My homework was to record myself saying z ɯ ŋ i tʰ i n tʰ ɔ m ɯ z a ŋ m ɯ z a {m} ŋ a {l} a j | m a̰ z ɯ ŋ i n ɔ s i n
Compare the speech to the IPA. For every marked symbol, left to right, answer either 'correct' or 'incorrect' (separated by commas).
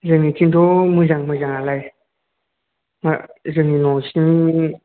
incorrect, correct